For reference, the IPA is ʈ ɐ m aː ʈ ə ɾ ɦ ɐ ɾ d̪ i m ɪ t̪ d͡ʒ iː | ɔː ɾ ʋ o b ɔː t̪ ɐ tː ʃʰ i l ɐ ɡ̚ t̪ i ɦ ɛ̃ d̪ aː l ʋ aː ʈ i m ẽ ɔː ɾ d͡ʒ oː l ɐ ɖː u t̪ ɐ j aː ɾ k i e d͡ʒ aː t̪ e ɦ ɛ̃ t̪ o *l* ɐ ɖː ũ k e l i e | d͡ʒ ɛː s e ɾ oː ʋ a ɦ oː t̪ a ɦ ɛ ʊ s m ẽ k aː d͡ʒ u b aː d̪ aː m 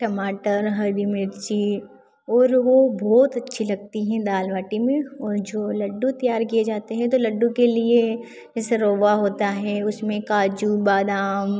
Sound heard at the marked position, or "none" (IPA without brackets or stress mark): l